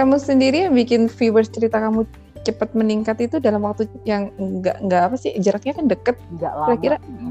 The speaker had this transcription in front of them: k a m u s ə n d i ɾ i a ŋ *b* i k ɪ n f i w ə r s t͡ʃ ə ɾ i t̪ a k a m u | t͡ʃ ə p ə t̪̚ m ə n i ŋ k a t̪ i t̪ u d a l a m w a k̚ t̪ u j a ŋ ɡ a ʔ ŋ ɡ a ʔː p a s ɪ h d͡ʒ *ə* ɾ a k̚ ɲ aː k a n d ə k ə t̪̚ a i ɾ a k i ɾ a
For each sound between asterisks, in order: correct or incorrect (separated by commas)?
correct, correct